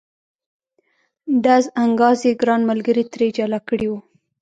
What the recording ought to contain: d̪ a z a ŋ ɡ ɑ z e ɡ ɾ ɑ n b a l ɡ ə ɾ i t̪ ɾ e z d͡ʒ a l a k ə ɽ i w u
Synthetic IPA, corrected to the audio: d̪ a z a ŋ ɡ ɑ z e ɡ ɾ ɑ n m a l ɡ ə ɾ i t̪ ɾ e d͡ʒ a l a k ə ɽ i w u